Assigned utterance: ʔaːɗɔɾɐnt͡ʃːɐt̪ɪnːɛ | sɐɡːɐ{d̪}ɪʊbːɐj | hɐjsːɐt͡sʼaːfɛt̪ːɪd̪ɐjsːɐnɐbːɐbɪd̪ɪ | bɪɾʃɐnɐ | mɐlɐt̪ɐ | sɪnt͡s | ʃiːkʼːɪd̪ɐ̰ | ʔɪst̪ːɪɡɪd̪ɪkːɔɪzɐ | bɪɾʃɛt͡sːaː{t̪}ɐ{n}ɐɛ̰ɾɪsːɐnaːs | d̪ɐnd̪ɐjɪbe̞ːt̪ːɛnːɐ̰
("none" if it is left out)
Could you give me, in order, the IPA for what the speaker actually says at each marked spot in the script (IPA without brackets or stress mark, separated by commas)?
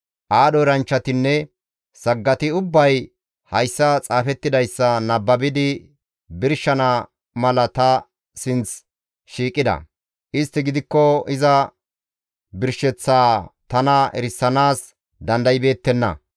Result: t̪, t̪, n